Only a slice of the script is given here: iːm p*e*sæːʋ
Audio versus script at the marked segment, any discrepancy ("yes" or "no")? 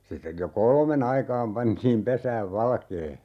no